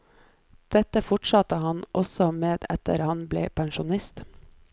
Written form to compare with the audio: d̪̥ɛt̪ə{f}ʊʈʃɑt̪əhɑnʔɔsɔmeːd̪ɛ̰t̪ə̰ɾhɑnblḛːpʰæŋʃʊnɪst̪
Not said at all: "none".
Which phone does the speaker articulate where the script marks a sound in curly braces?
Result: f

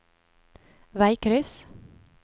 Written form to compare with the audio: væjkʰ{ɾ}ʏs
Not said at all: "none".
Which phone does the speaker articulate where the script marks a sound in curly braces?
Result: ɾ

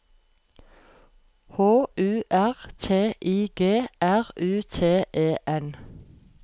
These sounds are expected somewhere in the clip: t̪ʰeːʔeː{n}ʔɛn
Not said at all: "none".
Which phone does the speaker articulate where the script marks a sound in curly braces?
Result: none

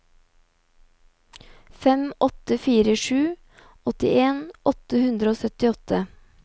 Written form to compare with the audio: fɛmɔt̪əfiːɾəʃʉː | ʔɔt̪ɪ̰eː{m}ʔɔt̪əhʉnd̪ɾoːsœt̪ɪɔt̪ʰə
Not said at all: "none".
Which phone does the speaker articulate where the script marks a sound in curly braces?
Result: n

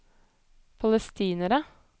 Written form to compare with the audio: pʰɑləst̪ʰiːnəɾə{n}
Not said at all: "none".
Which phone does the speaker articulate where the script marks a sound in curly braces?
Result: none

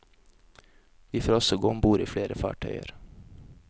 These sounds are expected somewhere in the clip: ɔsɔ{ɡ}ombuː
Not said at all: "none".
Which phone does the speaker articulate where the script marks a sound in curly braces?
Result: ɡ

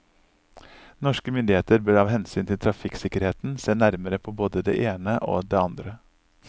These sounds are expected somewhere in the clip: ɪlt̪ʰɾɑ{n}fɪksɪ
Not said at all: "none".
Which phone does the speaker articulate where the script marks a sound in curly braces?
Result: none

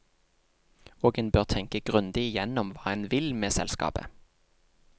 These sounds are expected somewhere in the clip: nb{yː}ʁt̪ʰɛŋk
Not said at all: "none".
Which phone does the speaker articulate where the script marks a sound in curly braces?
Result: øː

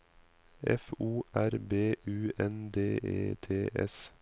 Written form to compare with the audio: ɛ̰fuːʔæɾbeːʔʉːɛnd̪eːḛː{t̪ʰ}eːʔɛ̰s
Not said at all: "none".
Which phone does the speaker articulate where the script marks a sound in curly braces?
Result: t̪ʰ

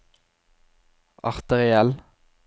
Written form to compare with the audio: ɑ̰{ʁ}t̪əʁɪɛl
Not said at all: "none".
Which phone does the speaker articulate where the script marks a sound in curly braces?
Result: ʁ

